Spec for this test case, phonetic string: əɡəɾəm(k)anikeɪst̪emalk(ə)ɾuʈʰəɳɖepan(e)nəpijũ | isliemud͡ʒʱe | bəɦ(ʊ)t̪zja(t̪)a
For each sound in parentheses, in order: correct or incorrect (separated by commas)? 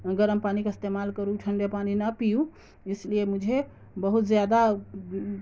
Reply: incorrect, correct, incorrect, incorrect, incorrect